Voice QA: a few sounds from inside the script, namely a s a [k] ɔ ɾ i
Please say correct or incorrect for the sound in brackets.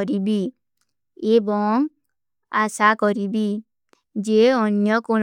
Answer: correct